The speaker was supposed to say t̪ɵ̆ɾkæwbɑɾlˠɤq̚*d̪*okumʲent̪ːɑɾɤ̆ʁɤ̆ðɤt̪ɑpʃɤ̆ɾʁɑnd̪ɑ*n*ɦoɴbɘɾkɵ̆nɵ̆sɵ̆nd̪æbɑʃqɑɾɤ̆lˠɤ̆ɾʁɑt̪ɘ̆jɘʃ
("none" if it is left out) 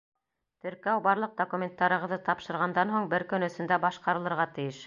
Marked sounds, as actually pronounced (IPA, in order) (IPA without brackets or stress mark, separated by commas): d̪, n